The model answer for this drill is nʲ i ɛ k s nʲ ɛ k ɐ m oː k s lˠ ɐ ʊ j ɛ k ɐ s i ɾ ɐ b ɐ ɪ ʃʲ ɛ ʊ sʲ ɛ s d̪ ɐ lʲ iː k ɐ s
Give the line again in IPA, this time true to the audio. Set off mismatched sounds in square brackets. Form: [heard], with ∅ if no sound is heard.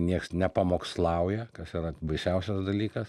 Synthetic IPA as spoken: nʲ i ɛ k s nʲ ɛ [p] ɐ m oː k s lˠ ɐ ʊ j ɛ k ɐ s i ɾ ɐ b ɐ ɪ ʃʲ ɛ ʊ sʲ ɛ s d̪ ɐ lʲ iː k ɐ s